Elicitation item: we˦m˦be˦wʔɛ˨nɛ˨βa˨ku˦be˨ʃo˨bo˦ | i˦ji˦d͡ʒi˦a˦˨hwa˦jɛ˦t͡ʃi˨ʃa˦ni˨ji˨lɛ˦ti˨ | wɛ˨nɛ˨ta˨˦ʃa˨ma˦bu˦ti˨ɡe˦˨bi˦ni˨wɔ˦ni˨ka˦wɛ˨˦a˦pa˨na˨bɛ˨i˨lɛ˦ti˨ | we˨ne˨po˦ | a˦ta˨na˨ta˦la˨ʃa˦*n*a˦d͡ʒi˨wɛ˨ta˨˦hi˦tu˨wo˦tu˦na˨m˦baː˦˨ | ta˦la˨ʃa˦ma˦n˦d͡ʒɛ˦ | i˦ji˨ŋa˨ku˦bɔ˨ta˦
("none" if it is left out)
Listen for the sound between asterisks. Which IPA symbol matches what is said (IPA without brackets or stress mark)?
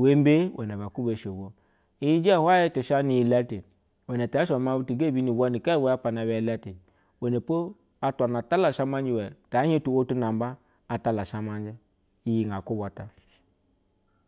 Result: m